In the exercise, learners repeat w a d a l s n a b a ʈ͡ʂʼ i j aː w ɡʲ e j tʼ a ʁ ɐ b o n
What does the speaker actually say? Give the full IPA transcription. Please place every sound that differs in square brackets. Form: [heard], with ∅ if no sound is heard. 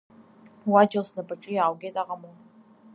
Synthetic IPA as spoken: w a [d͡ʒ] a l s n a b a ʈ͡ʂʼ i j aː w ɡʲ e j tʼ a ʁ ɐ [m] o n